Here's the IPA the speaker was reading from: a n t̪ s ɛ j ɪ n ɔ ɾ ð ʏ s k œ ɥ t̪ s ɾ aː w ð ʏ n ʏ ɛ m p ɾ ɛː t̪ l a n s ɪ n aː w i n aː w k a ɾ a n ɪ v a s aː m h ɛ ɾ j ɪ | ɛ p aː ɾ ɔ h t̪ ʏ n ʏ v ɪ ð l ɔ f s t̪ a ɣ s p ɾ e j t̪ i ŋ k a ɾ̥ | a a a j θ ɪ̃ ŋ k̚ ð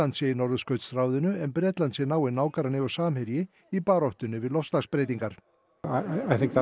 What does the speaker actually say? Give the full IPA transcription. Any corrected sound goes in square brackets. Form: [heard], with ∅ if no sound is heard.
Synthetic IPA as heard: a n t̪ s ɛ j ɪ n ɔ ɾ ð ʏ s k œ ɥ t̪ s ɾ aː w ð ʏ n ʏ ɛ m p ɾ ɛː t̪ l a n s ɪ n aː w [ɪ] n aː w k a ɾ a n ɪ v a s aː m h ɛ ɾ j ɪ | [i] p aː ɾ ɔ h t̪ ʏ n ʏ v ɪ ð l ɔ f s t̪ a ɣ s p ɾ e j t̪ i ŋ k a ɾ̥ | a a a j θ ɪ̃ ŋ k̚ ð